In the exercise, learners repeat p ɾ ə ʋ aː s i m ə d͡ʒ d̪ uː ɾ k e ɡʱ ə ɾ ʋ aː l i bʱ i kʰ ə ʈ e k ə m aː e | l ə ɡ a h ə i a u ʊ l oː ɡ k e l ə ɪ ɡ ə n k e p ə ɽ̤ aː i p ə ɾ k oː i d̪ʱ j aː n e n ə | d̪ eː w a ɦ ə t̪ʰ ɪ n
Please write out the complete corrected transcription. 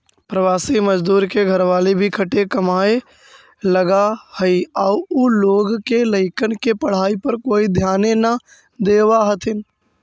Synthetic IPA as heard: p ɾ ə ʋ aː s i m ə d͡ʒ d̪ uː ɾ k e ɡʱ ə ɾ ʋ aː l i bʱ i kʰ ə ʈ e k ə m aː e | l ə ɡ a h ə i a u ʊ l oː ɡ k e l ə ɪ k ə n k e p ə ɽ̤ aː i p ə ɾ k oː i d̪ʱ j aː n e n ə | d̪ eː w a ɦ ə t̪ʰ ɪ n